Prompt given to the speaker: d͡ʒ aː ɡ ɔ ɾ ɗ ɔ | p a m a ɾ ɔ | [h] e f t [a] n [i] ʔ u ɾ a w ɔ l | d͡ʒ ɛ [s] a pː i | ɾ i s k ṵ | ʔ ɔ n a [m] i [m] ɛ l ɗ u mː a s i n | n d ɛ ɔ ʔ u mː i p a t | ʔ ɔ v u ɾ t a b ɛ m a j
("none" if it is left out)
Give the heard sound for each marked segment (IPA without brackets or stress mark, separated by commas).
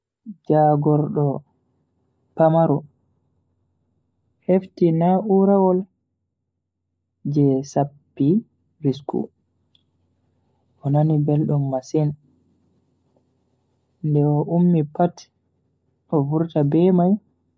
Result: h, i, a, s, n, b